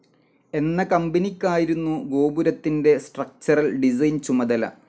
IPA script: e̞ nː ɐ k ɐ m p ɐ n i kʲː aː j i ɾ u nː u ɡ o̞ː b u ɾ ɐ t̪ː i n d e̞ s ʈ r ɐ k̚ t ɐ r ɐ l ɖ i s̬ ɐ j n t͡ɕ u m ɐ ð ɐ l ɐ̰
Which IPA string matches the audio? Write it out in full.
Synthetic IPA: e̞ nː ɐ k ɐ m b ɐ n i kʲː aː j i ɾ u nː u ɡ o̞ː b u ɾ ɐ t̪ː i n d e̞ s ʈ r ɐ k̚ t͡ɕ ɐ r ɐ l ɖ i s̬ ɐ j n t͡ɕ u m ɐ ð ɐ l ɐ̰